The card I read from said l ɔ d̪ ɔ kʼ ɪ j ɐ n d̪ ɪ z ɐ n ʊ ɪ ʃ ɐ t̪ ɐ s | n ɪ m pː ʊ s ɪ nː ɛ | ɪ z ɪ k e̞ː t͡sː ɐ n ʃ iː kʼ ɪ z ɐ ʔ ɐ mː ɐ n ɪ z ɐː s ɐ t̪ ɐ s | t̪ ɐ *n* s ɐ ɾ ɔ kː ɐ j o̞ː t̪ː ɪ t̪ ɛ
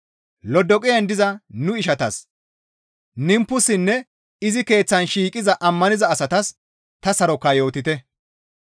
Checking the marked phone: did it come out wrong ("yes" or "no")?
yes